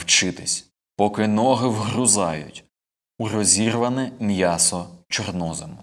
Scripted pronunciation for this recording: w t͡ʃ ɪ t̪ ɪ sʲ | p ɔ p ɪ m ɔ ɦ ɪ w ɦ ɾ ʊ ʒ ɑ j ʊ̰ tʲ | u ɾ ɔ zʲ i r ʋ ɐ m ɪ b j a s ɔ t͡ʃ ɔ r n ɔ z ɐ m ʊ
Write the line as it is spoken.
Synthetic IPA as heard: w t͡ʃ ɪ t̪ ɪ sʲ | p ɔ k ɪ n ɔ ɦ ɪ w ɦ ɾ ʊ z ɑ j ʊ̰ tʲ | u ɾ ɔ zʲ i r ʋ ɐ n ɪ m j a s ɔ t͡ʃ ɔ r n ɔ z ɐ m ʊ